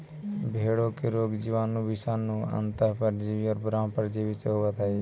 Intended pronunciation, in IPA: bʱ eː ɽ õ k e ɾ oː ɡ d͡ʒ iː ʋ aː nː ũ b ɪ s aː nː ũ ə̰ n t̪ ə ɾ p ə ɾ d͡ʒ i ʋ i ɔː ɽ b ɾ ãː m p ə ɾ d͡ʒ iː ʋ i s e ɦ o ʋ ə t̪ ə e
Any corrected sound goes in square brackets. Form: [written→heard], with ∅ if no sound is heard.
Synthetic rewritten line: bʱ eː ɽ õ k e ɾ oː ɡ d͡ʒ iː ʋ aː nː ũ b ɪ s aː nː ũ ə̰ n t̪ ə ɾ p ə ɾ d͡ʒ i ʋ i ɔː [ɽ→ɾ] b ɾ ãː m p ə ɾ d͡ʒ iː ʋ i s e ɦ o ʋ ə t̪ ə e